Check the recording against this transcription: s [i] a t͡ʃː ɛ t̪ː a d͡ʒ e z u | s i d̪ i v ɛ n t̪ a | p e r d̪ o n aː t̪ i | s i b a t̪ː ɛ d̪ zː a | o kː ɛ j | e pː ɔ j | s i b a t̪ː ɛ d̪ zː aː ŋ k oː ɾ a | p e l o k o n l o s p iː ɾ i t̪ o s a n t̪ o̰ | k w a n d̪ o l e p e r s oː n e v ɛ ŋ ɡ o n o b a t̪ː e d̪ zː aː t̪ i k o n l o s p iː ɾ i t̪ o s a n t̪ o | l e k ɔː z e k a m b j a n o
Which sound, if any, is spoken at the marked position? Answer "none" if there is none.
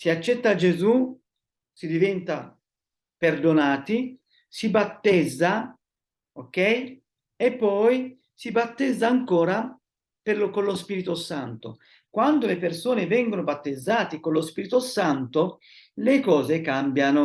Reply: i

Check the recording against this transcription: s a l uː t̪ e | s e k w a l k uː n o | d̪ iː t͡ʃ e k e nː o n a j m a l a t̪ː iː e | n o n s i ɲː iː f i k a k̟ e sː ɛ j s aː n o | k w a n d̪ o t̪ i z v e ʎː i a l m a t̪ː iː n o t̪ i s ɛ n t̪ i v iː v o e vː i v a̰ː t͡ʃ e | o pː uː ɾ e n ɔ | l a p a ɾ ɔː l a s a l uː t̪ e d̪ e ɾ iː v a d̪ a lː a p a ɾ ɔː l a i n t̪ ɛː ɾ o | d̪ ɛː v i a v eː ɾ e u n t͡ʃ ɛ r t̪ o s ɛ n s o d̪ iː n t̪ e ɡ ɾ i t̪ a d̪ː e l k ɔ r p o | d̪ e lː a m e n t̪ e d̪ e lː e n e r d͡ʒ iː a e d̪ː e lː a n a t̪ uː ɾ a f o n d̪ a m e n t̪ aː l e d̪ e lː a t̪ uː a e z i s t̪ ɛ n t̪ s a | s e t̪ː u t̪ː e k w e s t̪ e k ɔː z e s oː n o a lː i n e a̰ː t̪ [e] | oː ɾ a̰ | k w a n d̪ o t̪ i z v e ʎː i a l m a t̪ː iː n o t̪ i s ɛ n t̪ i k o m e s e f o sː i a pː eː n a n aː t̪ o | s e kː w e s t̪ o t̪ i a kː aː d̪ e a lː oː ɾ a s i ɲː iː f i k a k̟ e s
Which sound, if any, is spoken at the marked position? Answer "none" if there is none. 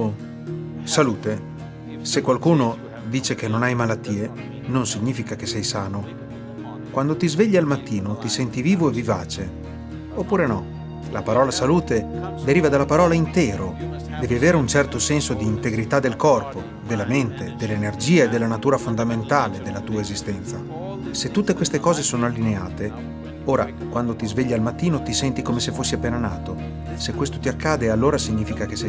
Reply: e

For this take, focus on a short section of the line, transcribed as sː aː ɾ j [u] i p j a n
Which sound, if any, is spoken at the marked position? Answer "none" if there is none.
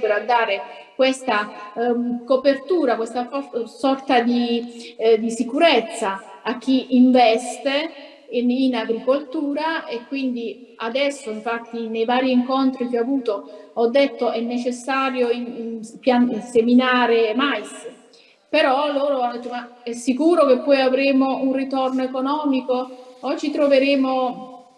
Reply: o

